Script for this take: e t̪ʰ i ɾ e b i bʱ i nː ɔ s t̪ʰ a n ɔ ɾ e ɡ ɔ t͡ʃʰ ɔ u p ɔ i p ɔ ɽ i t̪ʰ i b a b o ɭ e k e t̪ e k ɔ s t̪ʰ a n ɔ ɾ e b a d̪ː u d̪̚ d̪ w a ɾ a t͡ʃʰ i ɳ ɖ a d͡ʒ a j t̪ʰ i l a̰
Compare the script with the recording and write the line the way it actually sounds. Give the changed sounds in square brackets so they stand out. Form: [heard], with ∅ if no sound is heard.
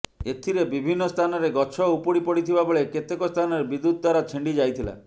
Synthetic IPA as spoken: e t̪ʰ i ɾ e b i bʱ i nː ɔ s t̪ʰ a n ɔ ɾ e ɡ ɔ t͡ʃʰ ɔ u p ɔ i p ɔ ɽ i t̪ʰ i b a b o ɭ e k e t̪ e k ɔ s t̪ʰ a n ɔ ɾ e b [i] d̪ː u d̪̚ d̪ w a ɾ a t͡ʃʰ i ɳ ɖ [i] d͡ʒ a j t̪ʰ i l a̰